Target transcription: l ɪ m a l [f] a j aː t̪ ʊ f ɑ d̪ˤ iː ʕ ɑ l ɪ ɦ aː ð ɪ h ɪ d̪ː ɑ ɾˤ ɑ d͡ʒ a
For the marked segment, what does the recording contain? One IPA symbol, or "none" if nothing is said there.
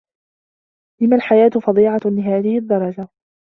ħ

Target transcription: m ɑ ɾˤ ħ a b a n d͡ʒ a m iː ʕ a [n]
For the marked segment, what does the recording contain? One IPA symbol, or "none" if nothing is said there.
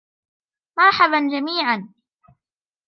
n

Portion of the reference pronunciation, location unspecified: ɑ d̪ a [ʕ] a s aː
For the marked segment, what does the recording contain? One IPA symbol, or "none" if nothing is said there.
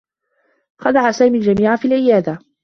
ʕ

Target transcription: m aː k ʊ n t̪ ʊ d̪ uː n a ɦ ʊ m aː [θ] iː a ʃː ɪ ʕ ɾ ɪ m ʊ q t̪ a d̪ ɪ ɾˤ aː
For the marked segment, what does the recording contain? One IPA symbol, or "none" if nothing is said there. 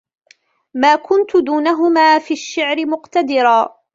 f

